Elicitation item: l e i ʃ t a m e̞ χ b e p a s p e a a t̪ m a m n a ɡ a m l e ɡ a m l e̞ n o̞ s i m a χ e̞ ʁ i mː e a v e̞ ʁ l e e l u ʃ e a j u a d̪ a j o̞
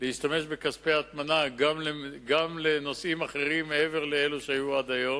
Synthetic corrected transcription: l e i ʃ t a m e̞ ʃ b e k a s p e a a t̪ m a n a ɡ a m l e ɡ a m l e̞ n o̞ s i m a χ e̞ ʁ i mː e e v e̞ ʁ l e e l u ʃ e a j u a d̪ a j o̞